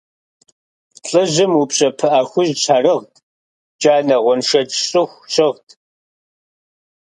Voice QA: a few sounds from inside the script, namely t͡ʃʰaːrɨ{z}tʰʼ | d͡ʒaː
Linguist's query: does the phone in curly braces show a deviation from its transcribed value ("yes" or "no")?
yes